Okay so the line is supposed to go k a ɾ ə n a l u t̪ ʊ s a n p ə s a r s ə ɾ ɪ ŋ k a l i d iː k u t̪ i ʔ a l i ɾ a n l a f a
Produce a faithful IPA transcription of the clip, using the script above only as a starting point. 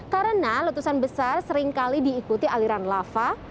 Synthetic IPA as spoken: k a ɾ ə n a l u t̪ u s a n b ə s a r s ə ɾ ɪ ŋ k a l i d iː k u t̪ i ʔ a l i ɾ a n l a f a